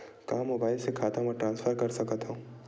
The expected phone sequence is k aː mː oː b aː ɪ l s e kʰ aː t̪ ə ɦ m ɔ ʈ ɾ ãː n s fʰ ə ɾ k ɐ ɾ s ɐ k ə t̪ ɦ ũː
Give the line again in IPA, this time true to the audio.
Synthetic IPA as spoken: k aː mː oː b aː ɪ l s e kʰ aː t̪ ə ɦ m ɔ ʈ ɾ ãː n s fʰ ə ɾ k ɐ ɾ s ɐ k ə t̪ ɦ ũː